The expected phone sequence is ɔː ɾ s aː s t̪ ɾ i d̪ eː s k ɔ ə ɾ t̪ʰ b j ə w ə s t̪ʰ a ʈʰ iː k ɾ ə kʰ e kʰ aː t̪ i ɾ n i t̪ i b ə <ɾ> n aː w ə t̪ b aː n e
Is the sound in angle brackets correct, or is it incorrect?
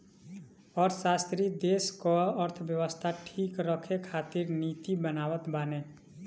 incorrect